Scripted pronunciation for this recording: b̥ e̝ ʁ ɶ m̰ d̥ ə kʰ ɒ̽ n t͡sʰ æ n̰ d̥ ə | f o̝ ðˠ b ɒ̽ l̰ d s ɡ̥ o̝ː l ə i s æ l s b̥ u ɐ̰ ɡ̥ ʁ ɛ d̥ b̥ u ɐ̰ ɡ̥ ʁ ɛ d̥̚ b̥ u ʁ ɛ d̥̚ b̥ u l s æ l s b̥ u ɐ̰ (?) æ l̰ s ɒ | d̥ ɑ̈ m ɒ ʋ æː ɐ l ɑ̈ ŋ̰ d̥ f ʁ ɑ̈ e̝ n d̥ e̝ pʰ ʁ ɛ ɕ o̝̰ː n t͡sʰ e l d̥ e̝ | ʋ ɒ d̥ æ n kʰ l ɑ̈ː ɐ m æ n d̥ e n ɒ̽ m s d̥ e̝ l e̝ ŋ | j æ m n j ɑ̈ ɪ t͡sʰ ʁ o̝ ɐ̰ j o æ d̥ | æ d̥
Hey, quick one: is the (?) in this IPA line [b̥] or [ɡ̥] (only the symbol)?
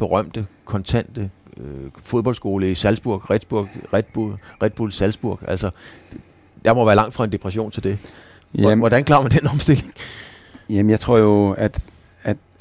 ɡ̥